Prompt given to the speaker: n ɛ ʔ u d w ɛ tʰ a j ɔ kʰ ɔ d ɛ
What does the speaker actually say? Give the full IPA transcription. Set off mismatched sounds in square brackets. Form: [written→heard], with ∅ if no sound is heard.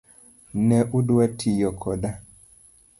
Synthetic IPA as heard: n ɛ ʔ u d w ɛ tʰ [a→i] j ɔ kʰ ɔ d [ɛ→a]